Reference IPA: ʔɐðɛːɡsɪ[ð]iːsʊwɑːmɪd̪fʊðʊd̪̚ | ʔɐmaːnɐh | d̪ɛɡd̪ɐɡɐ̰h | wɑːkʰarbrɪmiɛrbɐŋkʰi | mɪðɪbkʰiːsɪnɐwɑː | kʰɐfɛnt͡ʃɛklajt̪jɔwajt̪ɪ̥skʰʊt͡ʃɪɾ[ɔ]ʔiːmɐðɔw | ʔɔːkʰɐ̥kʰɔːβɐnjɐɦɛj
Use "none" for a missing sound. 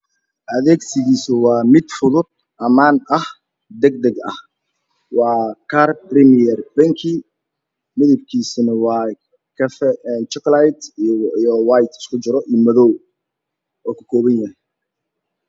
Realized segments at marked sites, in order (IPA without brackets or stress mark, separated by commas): ɣ, ɔ